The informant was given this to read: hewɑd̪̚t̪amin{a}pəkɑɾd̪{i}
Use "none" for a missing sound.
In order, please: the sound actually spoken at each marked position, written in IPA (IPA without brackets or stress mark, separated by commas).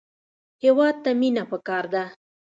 a, a